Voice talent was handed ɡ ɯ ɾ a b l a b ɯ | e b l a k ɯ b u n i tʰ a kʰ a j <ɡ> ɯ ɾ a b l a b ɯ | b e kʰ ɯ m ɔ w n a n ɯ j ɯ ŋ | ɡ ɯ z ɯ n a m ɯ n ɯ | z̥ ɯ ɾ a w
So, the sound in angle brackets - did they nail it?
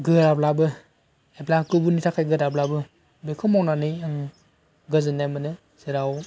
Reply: yes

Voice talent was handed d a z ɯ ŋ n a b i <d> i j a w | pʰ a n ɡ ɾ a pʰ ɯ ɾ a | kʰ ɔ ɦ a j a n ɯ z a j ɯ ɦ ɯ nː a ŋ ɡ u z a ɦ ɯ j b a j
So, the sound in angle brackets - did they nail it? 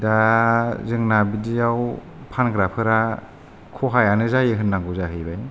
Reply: yes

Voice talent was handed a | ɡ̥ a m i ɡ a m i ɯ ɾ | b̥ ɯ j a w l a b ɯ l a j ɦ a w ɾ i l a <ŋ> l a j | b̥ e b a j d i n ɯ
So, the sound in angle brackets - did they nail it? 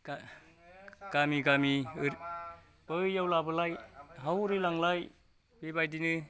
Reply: yes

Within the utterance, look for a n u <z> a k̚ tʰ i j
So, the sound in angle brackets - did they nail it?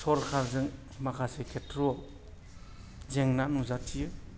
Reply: yes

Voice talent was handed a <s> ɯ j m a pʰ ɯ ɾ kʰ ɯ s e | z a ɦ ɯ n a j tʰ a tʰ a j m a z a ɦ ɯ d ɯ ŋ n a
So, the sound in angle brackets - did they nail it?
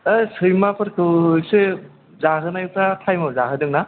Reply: yes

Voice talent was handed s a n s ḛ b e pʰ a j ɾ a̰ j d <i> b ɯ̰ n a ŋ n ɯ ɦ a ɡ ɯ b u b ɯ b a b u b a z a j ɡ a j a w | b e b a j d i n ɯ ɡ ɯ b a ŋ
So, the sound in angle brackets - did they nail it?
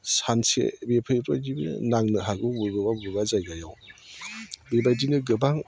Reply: yes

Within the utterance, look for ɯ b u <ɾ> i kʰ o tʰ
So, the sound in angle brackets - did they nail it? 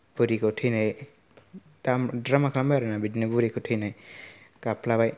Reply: yes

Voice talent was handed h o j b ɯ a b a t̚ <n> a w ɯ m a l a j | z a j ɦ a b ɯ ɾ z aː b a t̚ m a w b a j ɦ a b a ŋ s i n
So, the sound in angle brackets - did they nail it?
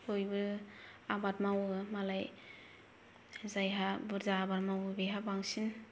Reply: no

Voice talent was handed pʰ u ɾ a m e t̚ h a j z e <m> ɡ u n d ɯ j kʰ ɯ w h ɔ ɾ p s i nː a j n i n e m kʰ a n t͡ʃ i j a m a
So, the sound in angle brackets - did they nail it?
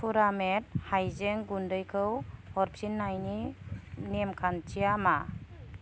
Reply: no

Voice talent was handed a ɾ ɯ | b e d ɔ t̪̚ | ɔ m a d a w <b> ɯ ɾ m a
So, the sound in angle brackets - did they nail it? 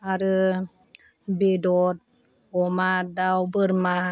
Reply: yes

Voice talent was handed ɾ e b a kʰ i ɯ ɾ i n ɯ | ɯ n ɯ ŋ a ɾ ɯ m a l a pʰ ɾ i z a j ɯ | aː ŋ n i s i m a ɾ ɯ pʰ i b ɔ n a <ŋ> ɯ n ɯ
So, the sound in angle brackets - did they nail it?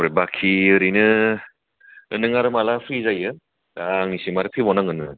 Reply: yes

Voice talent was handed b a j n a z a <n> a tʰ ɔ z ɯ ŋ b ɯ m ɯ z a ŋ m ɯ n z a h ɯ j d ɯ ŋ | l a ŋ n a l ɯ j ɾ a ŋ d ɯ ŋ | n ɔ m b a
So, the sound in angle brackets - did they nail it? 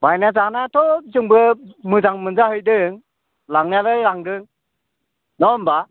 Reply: yes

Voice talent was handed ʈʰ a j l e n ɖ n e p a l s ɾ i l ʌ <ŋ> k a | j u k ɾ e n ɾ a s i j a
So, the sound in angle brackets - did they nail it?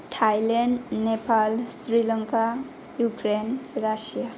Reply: yes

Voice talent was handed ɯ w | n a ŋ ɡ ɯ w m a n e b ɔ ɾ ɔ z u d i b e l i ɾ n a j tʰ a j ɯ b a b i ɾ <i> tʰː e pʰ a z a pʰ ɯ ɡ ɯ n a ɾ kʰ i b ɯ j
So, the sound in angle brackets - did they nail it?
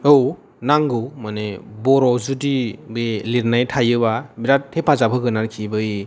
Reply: no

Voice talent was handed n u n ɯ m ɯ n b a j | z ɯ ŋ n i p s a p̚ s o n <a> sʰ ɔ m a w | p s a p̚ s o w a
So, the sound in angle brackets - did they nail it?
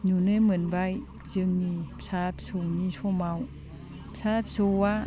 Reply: no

